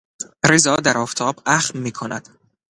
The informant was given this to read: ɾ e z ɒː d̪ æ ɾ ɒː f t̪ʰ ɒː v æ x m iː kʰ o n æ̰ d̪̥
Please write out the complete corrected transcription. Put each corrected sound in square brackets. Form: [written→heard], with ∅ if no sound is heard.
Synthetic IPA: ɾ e z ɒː d̪ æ ɾ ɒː f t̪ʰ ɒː [v→b] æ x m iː kʰ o n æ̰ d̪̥

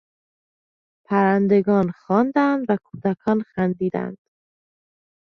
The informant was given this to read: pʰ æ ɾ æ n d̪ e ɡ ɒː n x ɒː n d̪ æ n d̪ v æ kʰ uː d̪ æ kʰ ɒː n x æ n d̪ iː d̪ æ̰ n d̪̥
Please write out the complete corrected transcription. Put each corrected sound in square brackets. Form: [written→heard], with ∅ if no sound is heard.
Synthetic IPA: pʰ æ ɾ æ n d̪ e ɡ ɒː n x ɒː n d̪ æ n d̪ v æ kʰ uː d̪ æ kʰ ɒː n x æ n d̪ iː d̪ æ̰ n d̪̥

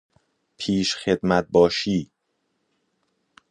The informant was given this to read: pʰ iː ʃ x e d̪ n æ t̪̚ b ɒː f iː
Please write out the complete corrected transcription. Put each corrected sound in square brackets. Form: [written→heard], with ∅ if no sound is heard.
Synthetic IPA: pʰ iː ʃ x e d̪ [n→m] æ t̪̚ b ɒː [f→ʃ] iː

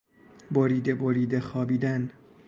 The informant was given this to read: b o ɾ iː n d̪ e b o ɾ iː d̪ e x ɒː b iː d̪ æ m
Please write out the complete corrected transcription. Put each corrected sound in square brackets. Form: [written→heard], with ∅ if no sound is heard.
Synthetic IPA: b o ɾ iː [n→∅] d̪ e b o ɾ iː d̪ e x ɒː b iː d̪ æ [m→n]

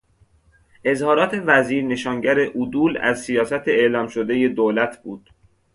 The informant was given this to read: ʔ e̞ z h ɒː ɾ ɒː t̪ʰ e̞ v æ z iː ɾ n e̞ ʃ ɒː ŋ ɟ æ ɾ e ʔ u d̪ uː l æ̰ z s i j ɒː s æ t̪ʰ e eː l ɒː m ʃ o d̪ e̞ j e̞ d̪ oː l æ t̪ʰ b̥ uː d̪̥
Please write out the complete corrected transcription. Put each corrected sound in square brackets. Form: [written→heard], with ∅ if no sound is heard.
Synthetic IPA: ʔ e̞ z h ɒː ɾ ɒː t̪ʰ e̞ v æ z iː ɾ n e̞ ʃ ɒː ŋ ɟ æ ɾ e ʔ u d̪ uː l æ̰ z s i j ɒː s æ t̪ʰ e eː l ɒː m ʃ o d̪ e̞ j e̞ d̪ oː l æ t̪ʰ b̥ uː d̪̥

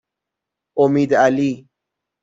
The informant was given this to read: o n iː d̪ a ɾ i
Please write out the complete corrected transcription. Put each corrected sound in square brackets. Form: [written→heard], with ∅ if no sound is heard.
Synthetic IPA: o [n→m] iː d̪ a [ɾ→l] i

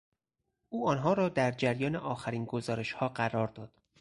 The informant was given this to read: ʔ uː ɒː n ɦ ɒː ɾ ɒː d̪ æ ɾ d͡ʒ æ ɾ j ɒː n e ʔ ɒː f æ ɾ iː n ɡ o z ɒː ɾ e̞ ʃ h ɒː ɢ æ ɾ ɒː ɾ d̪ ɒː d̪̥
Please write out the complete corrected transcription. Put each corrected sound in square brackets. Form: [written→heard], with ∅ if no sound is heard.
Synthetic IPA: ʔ uː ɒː n ɦ ɒː ɾ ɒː d̪ æ ɾ d͡ʒ æ ɾ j ɒː n e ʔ ɒː [f→x] æ ɾ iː n ɡ o z ɒː ɾ e̞ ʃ h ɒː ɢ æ ɾ ɒː ɾ d̪ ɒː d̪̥

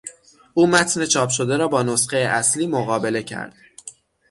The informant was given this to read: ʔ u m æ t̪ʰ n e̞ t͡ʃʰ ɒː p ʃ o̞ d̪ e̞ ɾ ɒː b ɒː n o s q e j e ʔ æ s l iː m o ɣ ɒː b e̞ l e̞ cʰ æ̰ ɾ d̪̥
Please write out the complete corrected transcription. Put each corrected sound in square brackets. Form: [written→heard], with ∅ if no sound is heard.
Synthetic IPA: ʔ [u→uː] m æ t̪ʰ n e̞ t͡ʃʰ ɒː p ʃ o̞ d̪ e̞ ɾ ɒː b ɒː n o s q e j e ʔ æ s l iː m o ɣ ɒː b e̞ l e̞ cʰ æ̰ ɾ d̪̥

